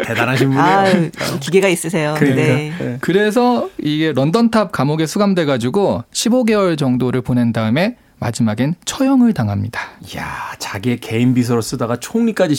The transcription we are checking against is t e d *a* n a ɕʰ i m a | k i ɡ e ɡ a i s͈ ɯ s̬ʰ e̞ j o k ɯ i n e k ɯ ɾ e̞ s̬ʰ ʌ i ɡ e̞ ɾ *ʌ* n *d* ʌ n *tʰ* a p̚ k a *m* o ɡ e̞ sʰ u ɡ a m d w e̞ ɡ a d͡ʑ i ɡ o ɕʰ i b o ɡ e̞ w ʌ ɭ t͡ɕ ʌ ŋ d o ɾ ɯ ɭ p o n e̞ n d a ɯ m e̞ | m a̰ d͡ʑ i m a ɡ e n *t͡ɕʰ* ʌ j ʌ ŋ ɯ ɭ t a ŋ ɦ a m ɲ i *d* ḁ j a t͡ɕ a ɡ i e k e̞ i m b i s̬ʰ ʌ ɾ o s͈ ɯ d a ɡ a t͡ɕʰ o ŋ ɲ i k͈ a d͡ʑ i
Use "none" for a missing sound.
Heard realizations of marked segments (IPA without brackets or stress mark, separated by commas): a, ʌ, d, tʰ, m, t͡ɕʰ, d